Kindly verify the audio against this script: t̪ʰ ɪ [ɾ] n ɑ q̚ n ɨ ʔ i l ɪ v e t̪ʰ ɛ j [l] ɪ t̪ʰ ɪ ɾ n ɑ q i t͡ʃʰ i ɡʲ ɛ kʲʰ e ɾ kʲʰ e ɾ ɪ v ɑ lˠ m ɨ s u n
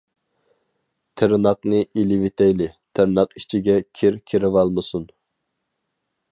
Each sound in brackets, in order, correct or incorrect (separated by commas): correct, correct